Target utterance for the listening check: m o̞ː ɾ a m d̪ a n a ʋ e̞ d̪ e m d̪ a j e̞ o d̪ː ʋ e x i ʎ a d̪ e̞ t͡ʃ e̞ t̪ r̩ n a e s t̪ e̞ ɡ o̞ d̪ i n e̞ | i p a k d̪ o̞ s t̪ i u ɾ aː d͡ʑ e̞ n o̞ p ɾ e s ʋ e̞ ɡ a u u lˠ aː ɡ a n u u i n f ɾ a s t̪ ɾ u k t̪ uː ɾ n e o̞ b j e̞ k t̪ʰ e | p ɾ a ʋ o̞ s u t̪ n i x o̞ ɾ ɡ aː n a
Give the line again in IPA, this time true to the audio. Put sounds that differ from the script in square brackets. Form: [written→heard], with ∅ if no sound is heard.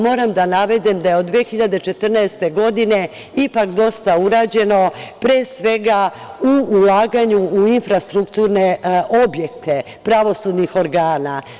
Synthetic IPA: m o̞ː ɾ a m d̪ a n a ʋ e̞ d̪ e m d̪ a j e̞ o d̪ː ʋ e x i ʎ a d̪ e̞ t͡ʃ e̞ t̪ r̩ n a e s t̪ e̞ ɡ o̞ d̪ i n e̞ | i p a k d̪ o̞ s t̪ [i→a] u ɾ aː d͡ʑ e̞ n o̞ p ɾ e s ʋ e̞ ɡ a u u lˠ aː ɡ a [n→ɲ] u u i n f ɾ a s t̪ ɾ u k t̪ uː ɾ n e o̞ b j e̞ k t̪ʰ e | p ɾ a ʋ o̞ s u [t̪→d̪] n i x o̞ ɾ ɡ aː n a

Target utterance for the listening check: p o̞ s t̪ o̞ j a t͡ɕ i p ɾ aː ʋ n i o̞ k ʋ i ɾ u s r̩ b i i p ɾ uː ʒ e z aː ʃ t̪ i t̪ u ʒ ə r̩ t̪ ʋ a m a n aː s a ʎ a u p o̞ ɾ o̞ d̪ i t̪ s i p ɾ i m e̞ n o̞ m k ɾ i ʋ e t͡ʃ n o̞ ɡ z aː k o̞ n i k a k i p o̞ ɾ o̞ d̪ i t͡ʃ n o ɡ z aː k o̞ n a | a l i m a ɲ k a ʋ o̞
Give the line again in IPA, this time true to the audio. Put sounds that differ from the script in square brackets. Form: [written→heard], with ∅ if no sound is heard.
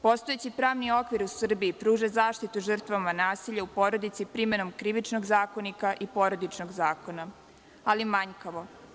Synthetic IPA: p o̞ s t̪ o̞ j [a→e] t͡ɕ i p ɾ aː ʋ n i o̞ k ʋ i ɾ u s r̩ b i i p ɾ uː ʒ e z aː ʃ t̪ i t̪ u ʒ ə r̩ t̪ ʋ a m a n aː s [a→i] ʎ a u p o̞ ɾ o̞ d̪ i t̪ s i p ɾ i m e̞ n o̞ m k ɾ i ʋ [e→i] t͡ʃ n o̞ ɡ z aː k o̞ n i k a [k→ʔ] i p o̞ ɾ o̞ d̪ i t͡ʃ n o ɡ z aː k o̞ n a | a l i m a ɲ k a ʋ o̞

